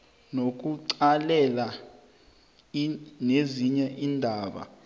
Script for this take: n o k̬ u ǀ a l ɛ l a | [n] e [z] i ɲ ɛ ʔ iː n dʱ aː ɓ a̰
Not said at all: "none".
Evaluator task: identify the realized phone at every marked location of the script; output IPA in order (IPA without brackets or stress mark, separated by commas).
n, z